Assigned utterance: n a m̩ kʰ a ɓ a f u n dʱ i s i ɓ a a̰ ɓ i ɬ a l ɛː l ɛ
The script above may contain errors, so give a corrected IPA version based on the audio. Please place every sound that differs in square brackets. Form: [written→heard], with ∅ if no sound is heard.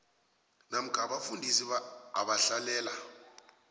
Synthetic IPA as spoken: n a m̩ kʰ a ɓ a f u n dʱ i s i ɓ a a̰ ɓ [i→a] ɬ a l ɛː l [ɛ→a]

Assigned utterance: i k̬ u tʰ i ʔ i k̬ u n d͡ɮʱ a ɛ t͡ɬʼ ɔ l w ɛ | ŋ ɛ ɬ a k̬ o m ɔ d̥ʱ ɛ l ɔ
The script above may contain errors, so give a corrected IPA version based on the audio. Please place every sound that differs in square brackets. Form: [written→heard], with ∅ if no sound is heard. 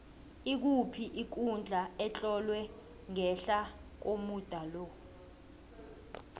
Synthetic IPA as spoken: i k̬ u [tʰ→pʰ] i ʔ i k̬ u n d͡ɮʱ a ɛ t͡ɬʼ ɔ l w ɛ | ŋ ɛ ɬ a k̬ o m [ɔ→u] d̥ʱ [ɛ→a] l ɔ

